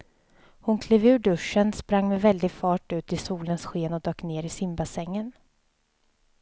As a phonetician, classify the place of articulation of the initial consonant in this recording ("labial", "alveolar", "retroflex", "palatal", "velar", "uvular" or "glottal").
glottal